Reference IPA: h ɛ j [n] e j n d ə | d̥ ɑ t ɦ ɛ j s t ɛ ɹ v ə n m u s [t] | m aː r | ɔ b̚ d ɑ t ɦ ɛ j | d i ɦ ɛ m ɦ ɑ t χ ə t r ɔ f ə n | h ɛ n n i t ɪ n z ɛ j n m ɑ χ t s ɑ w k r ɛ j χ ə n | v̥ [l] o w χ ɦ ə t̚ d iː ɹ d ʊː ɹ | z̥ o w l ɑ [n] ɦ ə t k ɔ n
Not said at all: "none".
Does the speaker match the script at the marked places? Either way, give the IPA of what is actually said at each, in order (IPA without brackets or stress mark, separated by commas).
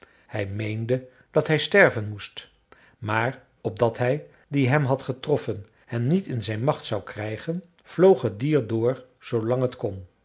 m, t, l, ŋ